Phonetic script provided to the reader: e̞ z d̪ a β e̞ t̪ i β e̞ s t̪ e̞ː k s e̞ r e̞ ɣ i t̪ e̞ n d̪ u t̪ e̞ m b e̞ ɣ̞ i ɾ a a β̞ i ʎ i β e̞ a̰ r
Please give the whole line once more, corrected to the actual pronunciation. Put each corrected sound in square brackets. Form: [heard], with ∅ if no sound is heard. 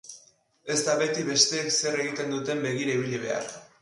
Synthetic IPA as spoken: e̞ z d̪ a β e̞ t̪ i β e̞ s t̪ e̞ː k s e̞ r e̞ ɣ i t̪ e̞ n d̪ u t̪ e̞ m b e̞ ɣ̞ i ɾ a [i] β̞ i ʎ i β e̞ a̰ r